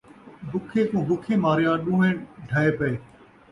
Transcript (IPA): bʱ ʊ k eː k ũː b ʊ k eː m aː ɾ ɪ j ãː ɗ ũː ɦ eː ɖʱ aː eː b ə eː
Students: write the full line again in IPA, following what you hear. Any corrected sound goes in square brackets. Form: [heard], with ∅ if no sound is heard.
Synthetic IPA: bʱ ʊ [kʰ] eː k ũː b ʊ [kʰ] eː m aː ɾ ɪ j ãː ɗ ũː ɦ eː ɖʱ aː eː [p] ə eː